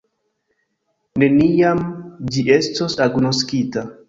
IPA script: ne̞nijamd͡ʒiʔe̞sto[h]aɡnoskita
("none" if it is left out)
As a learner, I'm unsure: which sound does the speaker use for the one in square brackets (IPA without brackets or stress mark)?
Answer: s